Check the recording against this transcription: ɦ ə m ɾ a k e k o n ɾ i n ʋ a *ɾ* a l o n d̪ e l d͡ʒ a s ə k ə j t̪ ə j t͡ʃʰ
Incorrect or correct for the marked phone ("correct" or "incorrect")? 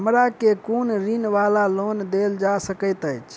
incorrect